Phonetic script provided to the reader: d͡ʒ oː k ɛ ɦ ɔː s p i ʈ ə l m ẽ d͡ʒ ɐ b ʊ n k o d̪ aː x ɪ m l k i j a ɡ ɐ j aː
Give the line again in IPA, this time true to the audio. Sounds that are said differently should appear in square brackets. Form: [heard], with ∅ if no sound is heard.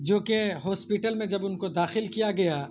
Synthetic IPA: d͡ʒ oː k [e] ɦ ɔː s p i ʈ ə l m ẽ d͡ʒ ɐ b ʊ n k o d̪ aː x ɪ [∅] l k i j a ɡ ɐ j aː